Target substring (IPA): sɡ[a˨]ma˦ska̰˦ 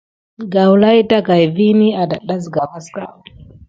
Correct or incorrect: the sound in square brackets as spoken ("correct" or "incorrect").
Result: correct